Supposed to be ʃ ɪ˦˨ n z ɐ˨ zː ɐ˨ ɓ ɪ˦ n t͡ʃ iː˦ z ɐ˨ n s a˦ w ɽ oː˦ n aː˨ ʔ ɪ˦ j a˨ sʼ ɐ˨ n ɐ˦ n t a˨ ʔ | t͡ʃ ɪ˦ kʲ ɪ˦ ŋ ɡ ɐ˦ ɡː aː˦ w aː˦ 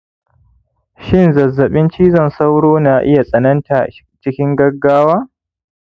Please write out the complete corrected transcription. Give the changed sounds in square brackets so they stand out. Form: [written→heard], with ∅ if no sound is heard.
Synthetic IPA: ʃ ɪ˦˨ n z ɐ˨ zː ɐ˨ ɓ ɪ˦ n t͡ʃ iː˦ z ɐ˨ n s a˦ w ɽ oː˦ n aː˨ ʔ ɪ˦ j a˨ sʼ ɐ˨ n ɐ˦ n t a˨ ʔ | t͡ʃ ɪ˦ kʲ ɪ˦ ŋ ɡ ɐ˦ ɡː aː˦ w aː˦

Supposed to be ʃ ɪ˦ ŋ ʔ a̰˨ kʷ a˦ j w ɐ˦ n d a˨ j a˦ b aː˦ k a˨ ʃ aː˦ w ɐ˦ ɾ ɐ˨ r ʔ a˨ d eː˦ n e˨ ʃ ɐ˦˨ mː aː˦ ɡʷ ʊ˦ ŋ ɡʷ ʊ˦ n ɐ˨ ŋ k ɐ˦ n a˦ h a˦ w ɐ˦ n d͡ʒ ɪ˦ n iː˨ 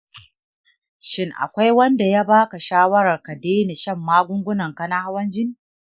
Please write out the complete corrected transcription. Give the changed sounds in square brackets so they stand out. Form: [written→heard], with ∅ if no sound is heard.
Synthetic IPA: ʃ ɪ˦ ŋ ʔ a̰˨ kʷ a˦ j w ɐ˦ n d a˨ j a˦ b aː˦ k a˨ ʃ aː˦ w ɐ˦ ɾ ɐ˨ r [ʔ→k] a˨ d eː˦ n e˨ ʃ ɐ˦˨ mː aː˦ ɡʷ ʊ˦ ŋ ɡʷ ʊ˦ n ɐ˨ ŋ k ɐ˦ n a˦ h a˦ w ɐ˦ n d͡ʒ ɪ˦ n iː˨

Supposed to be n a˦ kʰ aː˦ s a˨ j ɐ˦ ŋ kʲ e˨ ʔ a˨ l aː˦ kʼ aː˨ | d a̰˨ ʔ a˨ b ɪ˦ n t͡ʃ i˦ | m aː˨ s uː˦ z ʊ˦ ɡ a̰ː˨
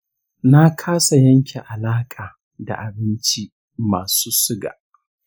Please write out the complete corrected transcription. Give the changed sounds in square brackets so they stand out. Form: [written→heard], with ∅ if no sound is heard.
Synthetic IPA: n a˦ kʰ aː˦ s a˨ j ɐ˦ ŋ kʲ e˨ ʔ a˨ l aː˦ kʼ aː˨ | d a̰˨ ʔ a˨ b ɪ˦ n t͡ʃ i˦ | m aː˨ s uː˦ [z→s] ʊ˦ ɡ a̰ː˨

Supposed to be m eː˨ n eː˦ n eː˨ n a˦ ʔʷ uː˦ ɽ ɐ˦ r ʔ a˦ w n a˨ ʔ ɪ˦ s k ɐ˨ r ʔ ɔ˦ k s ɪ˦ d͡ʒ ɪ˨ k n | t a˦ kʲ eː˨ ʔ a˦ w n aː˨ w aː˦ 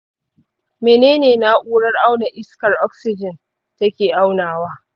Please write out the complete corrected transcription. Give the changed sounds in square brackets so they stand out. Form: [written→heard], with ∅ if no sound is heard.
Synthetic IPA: m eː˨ n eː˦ n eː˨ n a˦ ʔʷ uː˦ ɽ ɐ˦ r ʔ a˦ w n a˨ ʔ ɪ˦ s k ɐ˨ r ʔ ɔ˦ k s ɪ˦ d͡ʒ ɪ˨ [k→∅] n | t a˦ kʲ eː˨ ʔ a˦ w n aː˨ w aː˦

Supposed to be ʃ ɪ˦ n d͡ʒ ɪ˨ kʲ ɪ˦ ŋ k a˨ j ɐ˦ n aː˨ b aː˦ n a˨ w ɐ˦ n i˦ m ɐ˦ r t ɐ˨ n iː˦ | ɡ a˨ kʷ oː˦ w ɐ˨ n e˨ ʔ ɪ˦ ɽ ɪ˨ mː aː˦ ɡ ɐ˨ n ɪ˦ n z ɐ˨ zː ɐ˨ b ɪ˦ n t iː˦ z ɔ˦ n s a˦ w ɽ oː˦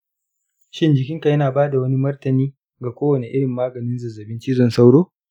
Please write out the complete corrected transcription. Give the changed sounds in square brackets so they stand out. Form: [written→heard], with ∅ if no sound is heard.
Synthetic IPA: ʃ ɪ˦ n d͡ʒ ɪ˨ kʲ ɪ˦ ŋ k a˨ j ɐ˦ n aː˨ b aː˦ [n→d] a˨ w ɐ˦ n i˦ m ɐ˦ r t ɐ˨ n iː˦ | ɡ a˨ kʷ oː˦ w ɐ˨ n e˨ ʔ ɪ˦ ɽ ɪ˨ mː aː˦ ɡ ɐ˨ n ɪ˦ n z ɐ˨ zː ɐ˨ b ɪ˦ n [t→t͡ʃ] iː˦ z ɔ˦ n s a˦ w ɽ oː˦

